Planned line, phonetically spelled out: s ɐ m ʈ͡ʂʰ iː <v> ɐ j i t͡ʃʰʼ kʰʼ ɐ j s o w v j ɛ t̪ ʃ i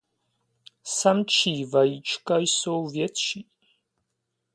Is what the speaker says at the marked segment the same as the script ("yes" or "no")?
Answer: yes